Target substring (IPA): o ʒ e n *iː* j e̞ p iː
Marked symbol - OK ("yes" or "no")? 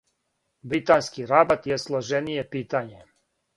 no